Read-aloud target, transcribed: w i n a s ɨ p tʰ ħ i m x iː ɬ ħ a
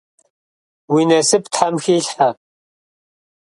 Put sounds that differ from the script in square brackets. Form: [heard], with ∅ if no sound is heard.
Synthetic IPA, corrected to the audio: w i n [ɐ] s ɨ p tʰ ħ [a] m x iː ɬ ħ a